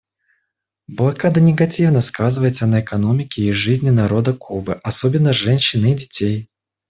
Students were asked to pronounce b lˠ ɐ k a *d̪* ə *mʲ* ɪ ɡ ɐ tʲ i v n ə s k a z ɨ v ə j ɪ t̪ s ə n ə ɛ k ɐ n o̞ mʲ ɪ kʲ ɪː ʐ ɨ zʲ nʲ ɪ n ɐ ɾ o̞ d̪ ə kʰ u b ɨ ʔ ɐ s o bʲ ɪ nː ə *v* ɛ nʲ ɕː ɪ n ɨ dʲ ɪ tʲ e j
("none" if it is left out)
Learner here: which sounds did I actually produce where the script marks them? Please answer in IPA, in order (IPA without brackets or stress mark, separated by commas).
d̪, nʲ, ʐ